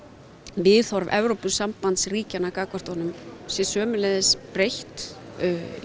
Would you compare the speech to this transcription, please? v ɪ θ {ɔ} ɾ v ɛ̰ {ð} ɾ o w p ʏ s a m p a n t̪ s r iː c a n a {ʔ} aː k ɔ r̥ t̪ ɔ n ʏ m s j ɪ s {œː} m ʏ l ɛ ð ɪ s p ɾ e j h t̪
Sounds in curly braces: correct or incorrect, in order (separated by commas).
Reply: correct, incorrect, incorrect, correct